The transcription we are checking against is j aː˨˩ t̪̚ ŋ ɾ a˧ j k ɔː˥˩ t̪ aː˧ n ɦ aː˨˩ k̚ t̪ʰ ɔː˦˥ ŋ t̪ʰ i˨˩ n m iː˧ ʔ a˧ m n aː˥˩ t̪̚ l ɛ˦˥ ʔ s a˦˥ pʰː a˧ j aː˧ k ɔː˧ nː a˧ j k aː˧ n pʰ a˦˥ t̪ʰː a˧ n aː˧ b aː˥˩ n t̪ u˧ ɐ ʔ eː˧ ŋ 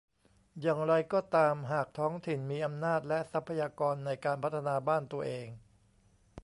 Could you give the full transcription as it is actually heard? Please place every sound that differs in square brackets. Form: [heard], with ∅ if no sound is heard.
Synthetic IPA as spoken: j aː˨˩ [∅] ŋ ɾ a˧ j k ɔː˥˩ t̪ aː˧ [m] ɦ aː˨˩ k̚ t̪ʰ ɔː˦˥ ŋ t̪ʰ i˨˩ n m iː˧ ʔ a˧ m n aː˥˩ t̪̚ l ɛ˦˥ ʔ s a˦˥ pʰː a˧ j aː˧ k ɔː˧ nː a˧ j k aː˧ n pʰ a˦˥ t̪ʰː a˧ n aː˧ b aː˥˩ n t̪ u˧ ɐ ʔ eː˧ ŋ